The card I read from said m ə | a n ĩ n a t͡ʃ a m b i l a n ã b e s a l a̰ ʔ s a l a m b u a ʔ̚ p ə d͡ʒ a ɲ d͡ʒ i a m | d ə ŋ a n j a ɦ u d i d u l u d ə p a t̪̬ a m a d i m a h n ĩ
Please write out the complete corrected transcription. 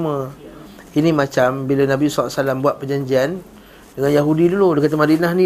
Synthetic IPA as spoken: m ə | i n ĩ m a t͡ʃ a m b i l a n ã b i s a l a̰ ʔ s a l a m b u a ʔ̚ p ə d͡ʒ a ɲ d͡ʒ i a n | d ə ŋ a n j a ɦ u d i d u l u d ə k a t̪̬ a m a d i n a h n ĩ